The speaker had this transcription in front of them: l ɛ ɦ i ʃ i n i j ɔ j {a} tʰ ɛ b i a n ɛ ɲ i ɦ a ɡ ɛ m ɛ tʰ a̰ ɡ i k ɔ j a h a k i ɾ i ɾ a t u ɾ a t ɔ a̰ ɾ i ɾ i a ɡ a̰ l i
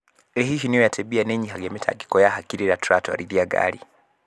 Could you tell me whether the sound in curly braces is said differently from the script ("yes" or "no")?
no